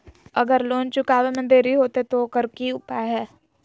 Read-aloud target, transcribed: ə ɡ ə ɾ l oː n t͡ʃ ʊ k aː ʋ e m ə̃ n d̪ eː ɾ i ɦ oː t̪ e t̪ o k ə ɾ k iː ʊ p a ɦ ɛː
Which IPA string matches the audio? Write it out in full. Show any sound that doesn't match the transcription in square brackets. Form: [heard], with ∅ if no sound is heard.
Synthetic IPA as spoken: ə ɡ ə ɾ l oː n t͡ʃ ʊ k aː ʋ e m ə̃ n d̪ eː ɾ i ɦ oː t̪ e t̪ o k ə ɾ k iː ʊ p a ɦ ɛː

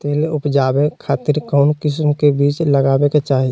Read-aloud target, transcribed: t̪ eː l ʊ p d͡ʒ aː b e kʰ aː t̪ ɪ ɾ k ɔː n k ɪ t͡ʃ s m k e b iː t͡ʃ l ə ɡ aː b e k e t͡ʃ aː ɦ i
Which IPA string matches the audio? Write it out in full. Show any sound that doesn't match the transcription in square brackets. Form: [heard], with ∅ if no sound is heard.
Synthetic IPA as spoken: t̪ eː l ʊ p d͡ʒ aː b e kʰ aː t̪ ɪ ɾ k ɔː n k ɪ [∅] s m k e b iː t͡ʃ l ə ɡ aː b e k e t͡ʃ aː ɦ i

